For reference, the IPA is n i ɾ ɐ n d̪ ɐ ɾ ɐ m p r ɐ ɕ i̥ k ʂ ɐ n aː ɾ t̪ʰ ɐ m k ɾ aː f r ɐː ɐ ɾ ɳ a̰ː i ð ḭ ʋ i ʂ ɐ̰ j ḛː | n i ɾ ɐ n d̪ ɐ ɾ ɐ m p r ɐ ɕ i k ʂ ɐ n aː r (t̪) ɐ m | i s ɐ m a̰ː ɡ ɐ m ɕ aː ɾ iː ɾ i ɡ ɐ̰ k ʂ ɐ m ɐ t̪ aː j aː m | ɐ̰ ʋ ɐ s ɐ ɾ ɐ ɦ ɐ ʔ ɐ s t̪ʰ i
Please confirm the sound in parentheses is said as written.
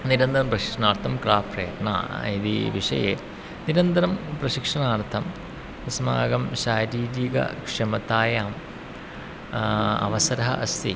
no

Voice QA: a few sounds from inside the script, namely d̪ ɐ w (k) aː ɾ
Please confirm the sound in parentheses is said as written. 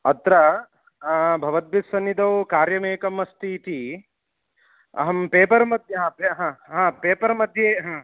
yes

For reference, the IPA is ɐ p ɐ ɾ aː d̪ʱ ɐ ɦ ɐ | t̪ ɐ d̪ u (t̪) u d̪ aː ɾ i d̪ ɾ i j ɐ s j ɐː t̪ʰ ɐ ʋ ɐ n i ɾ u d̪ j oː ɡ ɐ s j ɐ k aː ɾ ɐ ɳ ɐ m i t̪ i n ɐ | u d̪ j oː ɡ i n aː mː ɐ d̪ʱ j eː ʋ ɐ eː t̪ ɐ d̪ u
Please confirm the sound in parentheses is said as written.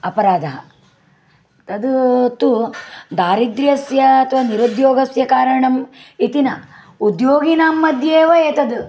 yes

